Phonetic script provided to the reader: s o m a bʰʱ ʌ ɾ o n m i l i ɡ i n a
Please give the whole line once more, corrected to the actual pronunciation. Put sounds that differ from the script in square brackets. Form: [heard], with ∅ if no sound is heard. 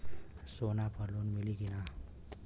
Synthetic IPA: s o [n] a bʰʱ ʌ [l] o n m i l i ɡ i n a